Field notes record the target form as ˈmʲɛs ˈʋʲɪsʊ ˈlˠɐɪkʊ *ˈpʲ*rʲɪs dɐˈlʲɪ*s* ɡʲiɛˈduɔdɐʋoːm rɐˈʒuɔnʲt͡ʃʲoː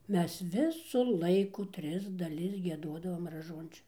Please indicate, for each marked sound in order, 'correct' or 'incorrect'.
incorrect, correct

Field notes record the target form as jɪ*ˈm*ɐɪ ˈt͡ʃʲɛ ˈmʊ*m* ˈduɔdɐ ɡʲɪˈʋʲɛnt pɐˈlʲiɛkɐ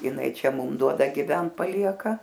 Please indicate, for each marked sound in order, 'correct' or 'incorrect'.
incorrect, correct

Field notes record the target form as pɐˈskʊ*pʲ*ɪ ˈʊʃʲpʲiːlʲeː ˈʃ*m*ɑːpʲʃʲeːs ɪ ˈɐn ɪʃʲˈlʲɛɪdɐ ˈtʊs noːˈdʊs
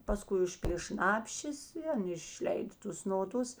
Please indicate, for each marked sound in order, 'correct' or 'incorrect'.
incorrect, incorrect

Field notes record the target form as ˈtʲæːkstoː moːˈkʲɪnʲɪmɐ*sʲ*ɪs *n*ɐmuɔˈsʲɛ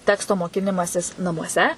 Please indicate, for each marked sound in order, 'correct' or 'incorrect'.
correct, correct

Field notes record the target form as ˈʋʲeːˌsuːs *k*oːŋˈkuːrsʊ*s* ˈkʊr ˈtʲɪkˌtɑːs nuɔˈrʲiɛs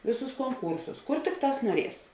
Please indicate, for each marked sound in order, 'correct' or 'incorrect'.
correct, correct

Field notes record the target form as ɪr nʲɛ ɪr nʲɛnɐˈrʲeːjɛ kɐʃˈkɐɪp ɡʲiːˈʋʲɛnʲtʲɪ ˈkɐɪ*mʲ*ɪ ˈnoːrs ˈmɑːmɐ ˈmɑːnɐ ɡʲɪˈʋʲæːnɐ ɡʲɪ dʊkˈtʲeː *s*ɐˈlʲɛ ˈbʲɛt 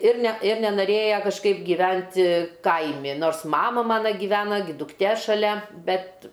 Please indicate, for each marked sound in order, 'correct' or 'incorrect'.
correct, incorrect

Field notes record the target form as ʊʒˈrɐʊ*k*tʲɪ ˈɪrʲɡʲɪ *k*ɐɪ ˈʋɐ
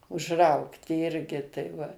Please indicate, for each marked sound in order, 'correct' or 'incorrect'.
correct, incorrect

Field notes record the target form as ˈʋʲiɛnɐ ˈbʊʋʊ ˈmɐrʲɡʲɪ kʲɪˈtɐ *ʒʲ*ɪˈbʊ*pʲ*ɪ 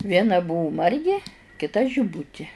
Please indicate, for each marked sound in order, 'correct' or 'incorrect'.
correct, incorrect

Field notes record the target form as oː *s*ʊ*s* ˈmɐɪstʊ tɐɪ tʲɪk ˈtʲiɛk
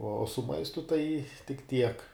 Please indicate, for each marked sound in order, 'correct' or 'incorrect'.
correct, incorrect

